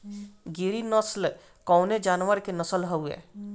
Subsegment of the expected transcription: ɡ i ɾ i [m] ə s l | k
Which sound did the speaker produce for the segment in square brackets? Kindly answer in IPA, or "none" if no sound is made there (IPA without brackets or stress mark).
n